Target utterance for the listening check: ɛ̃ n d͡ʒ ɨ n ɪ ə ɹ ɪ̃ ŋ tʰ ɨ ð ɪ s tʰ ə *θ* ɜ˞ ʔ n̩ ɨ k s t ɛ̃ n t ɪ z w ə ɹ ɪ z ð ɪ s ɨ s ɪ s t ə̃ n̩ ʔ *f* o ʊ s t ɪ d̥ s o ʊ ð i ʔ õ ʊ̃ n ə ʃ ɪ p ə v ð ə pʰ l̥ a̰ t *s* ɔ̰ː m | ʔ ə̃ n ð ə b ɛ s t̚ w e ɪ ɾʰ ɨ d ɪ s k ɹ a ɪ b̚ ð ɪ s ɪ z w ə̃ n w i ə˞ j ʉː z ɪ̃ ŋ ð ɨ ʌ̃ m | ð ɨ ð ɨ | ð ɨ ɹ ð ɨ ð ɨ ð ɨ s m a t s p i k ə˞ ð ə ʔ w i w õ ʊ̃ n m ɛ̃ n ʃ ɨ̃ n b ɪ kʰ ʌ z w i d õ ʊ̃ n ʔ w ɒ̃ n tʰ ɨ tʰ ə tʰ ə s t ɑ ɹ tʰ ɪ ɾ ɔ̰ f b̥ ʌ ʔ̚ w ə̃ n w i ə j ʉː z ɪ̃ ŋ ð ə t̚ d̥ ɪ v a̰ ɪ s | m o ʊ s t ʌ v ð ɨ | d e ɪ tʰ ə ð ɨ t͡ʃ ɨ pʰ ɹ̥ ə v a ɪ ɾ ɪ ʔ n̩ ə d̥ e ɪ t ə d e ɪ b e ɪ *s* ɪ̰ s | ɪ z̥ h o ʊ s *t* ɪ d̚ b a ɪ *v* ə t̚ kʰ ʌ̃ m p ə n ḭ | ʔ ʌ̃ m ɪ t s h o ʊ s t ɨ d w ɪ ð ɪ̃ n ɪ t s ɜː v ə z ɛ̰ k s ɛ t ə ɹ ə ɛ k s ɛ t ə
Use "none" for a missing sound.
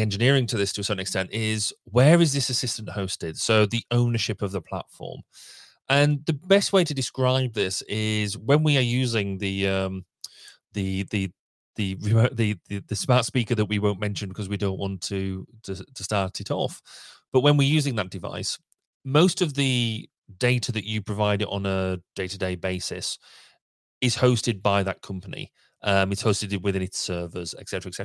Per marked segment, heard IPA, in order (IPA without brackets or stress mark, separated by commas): s, h, f, s, t, ð